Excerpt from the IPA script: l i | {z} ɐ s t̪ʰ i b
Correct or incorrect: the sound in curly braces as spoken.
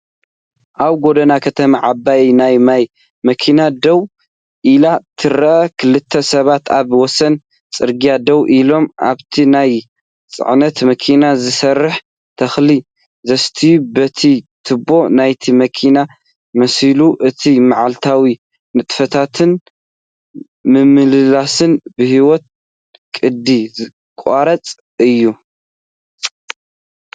correct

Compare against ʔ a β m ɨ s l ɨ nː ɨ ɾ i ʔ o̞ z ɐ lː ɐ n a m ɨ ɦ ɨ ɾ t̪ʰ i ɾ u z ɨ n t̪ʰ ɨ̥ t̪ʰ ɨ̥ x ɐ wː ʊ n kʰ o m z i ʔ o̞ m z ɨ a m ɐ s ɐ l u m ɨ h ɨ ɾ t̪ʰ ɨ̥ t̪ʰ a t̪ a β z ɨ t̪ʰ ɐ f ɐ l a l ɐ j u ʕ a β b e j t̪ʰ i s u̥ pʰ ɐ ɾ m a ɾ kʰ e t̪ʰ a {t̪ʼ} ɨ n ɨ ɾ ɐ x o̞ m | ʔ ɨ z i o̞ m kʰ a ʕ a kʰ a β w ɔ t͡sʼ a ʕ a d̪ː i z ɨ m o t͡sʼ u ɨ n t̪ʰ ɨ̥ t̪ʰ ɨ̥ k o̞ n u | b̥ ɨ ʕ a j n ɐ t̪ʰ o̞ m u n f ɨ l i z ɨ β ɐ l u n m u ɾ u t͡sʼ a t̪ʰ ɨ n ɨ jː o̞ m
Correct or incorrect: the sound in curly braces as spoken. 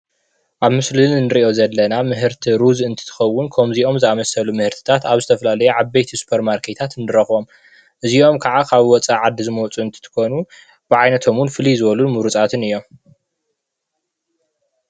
incorrect: t̪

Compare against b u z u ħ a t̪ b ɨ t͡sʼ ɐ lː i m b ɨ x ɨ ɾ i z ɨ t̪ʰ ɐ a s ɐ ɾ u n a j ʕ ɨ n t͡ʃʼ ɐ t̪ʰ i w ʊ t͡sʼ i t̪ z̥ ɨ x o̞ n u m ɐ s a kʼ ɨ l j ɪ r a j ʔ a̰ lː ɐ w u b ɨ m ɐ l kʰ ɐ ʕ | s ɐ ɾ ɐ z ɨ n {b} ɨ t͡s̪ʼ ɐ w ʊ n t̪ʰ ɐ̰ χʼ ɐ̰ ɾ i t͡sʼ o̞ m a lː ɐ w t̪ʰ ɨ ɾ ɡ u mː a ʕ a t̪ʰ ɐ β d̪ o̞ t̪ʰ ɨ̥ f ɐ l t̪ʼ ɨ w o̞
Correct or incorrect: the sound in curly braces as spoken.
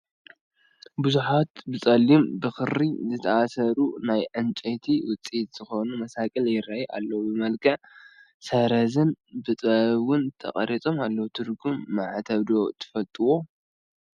correct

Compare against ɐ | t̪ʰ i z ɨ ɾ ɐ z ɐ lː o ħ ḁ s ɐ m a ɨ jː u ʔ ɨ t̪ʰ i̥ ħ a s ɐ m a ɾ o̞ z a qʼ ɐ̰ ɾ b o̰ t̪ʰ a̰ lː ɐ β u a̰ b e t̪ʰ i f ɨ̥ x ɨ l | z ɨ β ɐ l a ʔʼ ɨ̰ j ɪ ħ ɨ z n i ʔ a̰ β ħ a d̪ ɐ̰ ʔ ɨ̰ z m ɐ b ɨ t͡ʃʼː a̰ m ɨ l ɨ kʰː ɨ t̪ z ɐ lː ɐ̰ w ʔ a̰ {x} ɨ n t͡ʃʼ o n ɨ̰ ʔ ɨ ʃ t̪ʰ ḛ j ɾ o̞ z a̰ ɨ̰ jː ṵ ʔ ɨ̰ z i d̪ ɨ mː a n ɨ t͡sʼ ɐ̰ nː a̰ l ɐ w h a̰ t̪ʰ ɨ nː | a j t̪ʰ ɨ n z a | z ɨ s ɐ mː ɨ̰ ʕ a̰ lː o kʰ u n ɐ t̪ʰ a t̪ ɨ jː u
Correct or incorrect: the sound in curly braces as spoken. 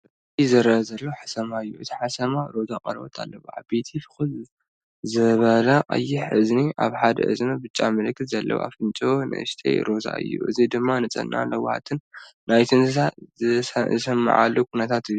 incorrect: f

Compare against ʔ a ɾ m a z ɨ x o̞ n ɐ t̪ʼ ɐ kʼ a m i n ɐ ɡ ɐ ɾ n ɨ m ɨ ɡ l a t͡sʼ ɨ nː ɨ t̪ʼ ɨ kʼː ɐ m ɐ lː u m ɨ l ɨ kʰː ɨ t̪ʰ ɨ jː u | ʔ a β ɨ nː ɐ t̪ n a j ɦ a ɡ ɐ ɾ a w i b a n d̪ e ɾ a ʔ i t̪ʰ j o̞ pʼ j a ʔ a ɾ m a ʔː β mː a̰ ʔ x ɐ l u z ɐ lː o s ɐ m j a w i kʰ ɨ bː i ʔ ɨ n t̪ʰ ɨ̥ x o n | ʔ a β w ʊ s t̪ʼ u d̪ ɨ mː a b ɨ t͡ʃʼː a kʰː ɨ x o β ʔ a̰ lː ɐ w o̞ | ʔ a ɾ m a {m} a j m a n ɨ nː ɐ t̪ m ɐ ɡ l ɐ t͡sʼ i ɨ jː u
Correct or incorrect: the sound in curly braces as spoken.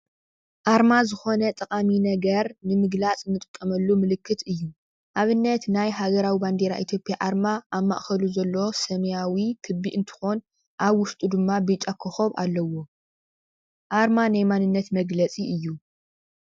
incorrect: n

